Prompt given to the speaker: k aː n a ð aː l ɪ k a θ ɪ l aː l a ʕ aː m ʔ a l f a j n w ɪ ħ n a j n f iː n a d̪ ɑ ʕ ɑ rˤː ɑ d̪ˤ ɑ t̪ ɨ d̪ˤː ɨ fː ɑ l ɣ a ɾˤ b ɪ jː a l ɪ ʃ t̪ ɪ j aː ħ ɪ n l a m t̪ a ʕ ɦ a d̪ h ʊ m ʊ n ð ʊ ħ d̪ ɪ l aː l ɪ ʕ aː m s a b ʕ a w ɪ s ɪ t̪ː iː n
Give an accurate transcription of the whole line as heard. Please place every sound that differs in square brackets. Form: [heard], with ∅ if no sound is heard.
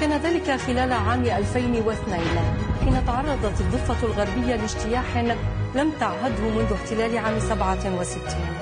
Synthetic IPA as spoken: k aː n a ð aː l ɪ k a [x] ɪ l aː l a ʕ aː m ʔ a l f a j n w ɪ [θ] n a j n [ħ] iː n a [t̪] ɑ ʕ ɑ rˤː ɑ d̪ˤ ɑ t̪ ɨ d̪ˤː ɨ fː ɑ l ɣ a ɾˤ b ɪ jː a l ɪ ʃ t̪ ɪ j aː ħ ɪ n l a m t̪ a ʕ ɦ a d̪ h ʊ m ʊ n ð ʊ ħ [t̪] ɪ l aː l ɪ ʕ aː m s a b ʕ a w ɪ s ɪ t̪ː iː n